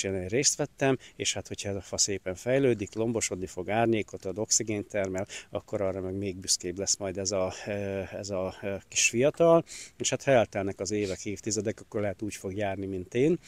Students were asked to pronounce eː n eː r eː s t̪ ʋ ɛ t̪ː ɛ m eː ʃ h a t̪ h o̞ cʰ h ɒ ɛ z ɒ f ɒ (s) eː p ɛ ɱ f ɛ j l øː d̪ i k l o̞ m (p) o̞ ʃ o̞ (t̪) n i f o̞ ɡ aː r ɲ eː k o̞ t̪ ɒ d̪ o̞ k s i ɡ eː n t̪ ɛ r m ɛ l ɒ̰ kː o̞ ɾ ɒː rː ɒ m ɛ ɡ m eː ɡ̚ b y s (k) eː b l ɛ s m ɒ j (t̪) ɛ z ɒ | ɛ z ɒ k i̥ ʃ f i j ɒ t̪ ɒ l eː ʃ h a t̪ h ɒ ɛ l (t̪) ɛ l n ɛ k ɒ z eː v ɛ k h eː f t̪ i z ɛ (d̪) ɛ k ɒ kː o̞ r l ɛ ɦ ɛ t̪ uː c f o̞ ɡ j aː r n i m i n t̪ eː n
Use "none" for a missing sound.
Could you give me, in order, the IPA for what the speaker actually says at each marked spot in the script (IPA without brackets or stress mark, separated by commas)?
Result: s, b, d̪, k, d̪, t̪, d̪